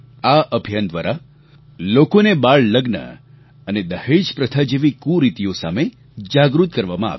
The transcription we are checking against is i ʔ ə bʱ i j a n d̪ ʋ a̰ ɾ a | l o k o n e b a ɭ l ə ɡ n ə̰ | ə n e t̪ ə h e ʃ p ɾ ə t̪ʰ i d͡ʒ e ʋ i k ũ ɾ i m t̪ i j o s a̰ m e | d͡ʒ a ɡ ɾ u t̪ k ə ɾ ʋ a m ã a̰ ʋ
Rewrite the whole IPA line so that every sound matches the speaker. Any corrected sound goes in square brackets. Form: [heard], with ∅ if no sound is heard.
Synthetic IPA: [a] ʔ ə bʱ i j a n d̪ ʋ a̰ ɾ a | l o k o n e b a ɭ l ə ɡ n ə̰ | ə n e [d̪] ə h e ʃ p ɾ ə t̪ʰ [a] d͡ʒ e ʋ i k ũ ɾ i [∅] t̪ i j o s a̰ m e | d͡ʒ a ɡ ɾ u t̪ k ə ɾ ʋ a m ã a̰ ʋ